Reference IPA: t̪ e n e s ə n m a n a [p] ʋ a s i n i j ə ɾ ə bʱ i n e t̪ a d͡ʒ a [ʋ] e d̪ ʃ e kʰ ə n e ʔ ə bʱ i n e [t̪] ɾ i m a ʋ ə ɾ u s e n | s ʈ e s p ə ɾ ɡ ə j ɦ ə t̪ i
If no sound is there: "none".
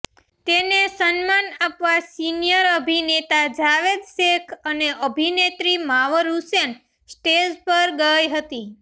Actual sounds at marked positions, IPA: p, ʋ, t̪

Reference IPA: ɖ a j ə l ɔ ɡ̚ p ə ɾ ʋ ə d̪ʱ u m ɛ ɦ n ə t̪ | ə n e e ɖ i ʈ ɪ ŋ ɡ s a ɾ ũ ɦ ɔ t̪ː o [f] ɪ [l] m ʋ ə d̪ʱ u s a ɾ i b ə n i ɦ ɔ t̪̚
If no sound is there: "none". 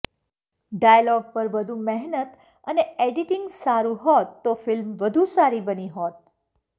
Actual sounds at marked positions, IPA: f, l

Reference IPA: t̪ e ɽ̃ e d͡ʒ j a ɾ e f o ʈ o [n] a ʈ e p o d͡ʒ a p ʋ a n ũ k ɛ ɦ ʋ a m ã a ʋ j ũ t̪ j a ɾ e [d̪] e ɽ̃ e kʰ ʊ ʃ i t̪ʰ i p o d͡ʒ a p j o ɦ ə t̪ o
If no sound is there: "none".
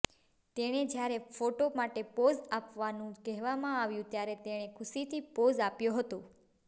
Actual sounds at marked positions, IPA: m, t̪

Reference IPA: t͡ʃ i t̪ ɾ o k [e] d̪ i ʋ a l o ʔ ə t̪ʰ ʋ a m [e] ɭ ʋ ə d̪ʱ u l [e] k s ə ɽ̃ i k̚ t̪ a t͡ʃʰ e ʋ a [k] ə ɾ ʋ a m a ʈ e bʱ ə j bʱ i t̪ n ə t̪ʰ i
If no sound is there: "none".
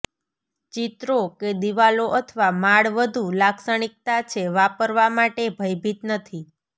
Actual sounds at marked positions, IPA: e, a, a, p

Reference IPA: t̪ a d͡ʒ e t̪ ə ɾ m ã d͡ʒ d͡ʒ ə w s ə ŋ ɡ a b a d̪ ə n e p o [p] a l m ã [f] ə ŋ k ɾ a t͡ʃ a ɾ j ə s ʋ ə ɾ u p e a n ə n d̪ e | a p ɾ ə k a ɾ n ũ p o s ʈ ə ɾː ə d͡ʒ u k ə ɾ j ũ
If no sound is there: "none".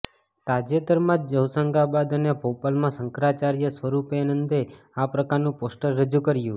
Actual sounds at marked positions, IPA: p, s

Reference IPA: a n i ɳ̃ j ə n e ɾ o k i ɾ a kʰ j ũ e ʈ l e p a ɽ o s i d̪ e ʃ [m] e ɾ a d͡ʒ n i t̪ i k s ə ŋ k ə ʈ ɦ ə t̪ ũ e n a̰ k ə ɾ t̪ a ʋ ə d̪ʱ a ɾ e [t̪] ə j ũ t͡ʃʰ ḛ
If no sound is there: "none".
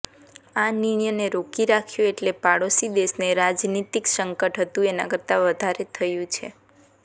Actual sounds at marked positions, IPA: n, t̪ʰ

